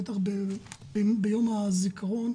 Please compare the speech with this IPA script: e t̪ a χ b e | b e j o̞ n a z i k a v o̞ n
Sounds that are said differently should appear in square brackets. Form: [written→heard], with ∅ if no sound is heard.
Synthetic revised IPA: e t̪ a χ b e | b e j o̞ [n→m] a z i k a [v→ʁ] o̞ n